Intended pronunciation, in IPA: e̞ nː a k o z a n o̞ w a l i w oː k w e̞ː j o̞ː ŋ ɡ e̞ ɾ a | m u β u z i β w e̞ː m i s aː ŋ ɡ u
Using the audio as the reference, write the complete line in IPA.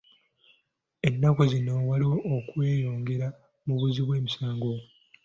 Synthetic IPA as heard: e̞ nː a k o z i n o̞ w a l i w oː k w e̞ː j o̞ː ŋ ɡ e̞ ɾ a | m u β u z i β w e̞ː m i s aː ŋ ɡ o